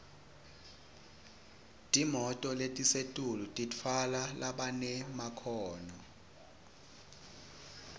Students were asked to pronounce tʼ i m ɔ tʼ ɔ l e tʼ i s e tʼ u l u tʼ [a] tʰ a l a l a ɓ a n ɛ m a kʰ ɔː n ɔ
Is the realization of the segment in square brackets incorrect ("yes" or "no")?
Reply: yes